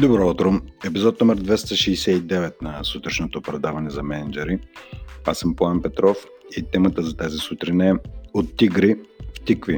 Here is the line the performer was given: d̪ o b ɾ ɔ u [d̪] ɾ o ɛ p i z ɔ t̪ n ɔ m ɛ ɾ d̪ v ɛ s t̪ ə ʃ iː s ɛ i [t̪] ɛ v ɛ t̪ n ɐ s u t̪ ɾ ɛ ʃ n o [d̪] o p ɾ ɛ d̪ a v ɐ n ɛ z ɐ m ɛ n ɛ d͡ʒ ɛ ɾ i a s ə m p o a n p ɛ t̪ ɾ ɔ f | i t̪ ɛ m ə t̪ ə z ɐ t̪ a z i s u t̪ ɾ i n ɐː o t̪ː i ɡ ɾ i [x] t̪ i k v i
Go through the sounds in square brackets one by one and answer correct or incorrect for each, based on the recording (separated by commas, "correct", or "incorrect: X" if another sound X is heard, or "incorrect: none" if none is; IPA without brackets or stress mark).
incorrect: t̪, incorrect: d̪, incorrect: t̪, incorrect: f